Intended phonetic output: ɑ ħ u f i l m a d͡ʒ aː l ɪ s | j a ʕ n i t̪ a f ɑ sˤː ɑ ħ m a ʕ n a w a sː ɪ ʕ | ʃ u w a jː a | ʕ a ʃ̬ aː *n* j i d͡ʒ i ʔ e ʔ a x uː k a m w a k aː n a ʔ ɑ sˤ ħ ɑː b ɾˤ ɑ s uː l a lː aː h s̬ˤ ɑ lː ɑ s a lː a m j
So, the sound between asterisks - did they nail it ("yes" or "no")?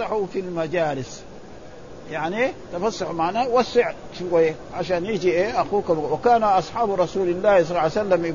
yes